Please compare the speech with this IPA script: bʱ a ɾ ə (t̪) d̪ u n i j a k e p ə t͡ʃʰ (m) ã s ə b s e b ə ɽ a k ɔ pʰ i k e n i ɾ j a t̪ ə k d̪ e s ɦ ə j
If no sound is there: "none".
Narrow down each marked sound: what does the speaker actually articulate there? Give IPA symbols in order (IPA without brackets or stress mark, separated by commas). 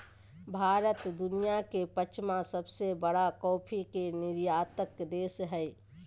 t̪, m